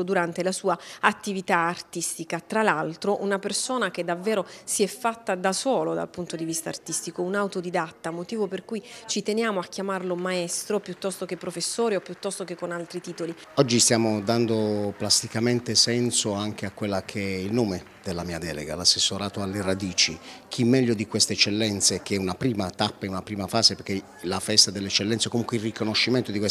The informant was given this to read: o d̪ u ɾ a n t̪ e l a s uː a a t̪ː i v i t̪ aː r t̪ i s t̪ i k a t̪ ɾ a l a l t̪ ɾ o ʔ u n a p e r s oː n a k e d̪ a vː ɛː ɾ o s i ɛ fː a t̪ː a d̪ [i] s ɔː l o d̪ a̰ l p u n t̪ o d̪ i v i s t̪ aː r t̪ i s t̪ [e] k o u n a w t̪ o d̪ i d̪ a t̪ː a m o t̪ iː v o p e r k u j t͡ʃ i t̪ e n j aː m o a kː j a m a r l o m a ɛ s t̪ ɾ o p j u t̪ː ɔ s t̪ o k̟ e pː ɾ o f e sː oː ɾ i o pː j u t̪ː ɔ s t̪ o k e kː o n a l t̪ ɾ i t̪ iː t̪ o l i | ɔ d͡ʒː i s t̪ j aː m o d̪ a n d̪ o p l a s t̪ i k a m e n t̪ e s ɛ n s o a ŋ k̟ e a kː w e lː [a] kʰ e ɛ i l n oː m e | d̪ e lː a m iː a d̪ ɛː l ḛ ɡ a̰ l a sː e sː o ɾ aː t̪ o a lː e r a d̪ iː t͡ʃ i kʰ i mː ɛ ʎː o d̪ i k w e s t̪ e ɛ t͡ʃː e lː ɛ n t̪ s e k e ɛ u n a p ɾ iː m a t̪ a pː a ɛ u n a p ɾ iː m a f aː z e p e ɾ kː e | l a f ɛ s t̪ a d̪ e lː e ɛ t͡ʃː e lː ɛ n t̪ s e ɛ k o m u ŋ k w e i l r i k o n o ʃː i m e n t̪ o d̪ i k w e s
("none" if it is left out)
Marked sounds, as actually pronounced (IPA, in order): a, i, a

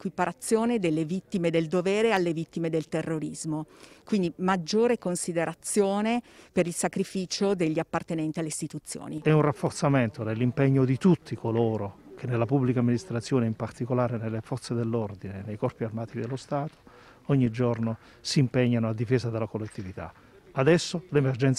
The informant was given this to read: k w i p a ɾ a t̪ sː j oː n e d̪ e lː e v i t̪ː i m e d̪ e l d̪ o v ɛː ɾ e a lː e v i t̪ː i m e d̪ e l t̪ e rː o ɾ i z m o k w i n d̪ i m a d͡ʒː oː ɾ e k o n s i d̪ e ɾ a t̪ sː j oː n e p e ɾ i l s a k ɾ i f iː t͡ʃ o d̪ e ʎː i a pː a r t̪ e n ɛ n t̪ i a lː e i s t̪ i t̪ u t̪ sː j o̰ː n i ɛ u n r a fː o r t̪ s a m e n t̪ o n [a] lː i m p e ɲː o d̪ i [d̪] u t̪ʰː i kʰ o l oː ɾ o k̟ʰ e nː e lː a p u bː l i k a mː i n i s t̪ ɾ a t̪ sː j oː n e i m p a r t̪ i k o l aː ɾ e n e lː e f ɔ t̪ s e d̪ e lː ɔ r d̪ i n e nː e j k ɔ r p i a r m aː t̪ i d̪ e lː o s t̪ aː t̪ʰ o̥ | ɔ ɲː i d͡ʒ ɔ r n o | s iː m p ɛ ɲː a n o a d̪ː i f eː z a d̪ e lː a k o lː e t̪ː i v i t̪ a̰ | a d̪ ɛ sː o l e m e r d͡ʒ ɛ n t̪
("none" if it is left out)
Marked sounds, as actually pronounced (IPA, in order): e, t̪

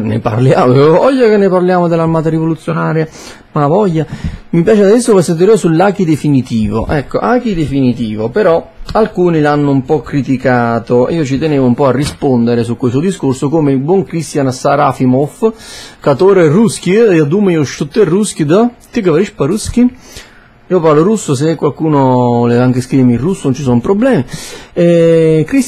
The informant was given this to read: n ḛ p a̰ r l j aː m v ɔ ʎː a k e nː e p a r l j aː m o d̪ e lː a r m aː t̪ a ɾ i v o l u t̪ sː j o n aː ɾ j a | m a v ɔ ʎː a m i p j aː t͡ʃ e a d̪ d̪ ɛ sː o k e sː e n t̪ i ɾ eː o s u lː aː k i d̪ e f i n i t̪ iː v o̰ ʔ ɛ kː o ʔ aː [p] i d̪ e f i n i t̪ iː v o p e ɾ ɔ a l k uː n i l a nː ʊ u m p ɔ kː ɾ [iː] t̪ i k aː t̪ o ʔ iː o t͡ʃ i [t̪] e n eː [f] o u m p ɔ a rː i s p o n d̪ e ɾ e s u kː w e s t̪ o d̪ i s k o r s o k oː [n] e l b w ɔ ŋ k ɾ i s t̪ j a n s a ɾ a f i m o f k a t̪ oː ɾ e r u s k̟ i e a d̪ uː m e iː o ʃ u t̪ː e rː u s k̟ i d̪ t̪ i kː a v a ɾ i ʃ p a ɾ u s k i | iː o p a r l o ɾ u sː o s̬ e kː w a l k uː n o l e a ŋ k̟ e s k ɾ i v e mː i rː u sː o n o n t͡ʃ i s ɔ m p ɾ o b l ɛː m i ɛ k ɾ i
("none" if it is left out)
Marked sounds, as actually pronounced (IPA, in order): k, i, t̪, v, m

